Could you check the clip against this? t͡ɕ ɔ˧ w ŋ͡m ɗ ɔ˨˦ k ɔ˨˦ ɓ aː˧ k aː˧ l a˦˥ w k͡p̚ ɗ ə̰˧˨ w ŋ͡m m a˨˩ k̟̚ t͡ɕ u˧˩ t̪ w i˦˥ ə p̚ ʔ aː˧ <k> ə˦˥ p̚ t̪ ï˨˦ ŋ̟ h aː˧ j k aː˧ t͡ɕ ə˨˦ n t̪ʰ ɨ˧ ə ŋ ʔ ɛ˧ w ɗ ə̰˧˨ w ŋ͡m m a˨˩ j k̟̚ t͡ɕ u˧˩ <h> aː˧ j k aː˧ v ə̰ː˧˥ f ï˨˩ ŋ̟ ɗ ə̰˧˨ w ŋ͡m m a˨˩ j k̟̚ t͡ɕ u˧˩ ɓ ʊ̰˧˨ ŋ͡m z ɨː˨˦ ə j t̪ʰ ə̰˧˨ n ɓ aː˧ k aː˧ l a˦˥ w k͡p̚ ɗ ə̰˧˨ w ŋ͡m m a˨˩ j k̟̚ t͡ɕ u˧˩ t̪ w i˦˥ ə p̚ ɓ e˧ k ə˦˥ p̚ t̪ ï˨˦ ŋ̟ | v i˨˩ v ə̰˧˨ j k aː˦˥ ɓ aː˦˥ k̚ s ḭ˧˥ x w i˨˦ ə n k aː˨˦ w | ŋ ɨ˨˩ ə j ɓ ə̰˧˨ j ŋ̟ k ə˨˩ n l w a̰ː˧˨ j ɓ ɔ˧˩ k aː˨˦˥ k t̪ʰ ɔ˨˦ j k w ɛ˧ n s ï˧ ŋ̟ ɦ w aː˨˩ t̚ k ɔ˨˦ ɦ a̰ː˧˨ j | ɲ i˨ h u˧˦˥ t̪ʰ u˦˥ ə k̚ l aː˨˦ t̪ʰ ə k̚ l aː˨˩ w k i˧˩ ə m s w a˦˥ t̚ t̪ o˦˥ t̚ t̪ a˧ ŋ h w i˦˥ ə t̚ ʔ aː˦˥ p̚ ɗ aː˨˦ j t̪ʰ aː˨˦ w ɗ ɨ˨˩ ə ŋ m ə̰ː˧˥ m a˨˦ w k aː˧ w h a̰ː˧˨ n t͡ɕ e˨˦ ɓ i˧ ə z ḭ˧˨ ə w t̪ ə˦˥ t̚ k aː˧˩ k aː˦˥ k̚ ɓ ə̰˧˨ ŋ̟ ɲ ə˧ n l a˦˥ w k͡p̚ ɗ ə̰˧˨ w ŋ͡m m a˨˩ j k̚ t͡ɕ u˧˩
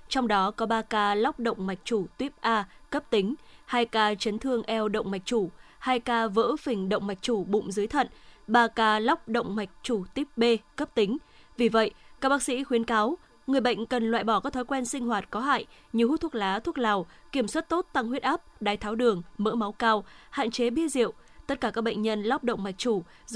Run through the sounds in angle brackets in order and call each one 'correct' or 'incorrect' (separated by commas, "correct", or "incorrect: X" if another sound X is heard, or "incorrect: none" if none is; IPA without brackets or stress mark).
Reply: correct, correct